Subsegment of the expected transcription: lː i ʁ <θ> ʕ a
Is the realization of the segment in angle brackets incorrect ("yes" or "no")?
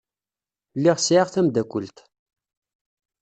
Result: yes